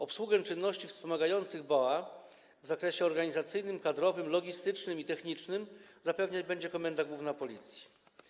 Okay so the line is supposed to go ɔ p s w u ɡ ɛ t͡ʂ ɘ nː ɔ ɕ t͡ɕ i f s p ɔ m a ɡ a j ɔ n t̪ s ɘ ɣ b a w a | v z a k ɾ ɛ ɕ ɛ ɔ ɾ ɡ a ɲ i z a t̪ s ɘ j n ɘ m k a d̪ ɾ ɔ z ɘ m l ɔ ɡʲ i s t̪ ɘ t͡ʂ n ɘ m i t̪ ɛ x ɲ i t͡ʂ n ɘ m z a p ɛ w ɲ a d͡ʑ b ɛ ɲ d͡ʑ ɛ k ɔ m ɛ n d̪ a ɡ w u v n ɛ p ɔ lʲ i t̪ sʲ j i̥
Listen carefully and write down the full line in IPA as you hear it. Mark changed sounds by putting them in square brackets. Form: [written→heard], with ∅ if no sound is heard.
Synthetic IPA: ɔ p s w u ɡ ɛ t͡ʂ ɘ nː ɔ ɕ t͡ɕ i f s p ɔ m a ɡ a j ɔ n t̪ s ɘ ɣ b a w a | v z a k ɾ ɛ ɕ ɛ ɔ ɾ ɡ a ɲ i z a t̪ s ɘ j n ɘ m k a d̪ ɾ ɔ [z→v] ɘ m l ɔ ɡʲ i s t̪ ɘ t͡ʂ n ɘ m i t̪ ɛ x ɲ i t͡ʂ n ɘ m z a p ɛ [w→v] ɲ a d͡ʑ b ɛ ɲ d͡ʑ ɛ k ɔ m ɛ n d̪ a ɡ w u v n [ɛ→a] p ɔ lʲ i t̪ sʲ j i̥